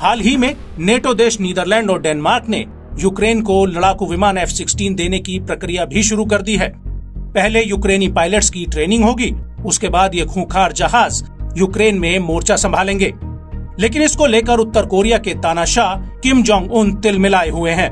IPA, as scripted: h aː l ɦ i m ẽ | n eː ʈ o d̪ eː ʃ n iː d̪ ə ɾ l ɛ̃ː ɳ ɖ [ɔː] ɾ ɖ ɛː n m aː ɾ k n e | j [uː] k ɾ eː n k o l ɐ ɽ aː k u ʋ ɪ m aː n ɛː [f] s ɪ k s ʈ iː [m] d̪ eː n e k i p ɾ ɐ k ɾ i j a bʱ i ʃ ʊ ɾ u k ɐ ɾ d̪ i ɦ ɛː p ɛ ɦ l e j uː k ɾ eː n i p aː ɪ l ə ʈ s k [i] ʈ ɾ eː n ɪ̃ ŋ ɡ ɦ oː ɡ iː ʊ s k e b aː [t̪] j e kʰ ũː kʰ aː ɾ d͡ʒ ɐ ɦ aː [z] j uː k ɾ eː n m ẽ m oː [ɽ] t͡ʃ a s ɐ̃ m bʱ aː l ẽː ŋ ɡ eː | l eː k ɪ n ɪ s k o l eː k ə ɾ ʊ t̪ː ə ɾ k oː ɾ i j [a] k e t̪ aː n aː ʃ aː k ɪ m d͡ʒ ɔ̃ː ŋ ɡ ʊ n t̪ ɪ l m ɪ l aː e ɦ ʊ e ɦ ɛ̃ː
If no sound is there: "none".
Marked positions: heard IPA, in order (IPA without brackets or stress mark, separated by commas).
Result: ɔː, uː, f, n, i, d̪, z, ɾ, a